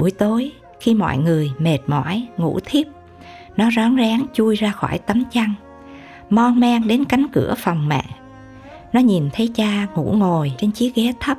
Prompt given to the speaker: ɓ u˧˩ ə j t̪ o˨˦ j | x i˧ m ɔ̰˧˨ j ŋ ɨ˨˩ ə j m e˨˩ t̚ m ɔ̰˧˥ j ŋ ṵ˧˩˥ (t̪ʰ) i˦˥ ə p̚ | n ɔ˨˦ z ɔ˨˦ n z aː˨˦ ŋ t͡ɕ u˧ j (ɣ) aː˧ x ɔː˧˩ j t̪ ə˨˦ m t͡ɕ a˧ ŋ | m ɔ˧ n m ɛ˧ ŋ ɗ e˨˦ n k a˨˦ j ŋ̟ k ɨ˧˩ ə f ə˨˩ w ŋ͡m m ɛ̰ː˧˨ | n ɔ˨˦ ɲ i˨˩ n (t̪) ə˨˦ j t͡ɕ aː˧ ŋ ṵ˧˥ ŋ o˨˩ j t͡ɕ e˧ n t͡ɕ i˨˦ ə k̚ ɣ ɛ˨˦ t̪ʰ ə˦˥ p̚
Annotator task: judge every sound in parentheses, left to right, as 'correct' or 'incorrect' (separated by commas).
correct, incorrect, incorrect